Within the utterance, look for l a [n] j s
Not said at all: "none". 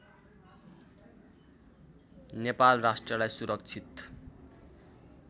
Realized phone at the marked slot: none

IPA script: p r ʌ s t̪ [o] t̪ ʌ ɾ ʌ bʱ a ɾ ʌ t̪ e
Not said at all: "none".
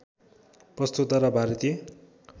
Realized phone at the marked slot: u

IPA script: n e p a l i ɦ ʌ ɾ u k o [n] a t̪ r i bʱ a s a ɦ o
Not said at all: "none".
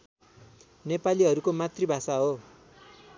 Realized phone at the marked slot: m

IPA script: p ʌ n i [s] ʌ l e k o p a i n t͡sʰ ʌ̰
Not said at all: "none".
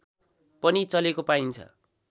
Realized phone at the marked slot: t͡s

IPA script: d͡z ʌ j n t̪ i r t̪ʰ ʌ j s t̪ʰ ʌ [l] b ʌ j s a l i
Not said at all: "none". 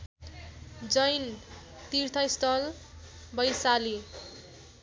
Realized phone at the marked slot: l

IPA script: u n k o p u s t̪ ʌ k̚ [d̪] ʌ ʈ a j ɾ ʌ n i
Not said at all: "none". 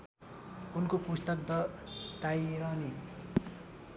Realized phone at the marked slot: d̪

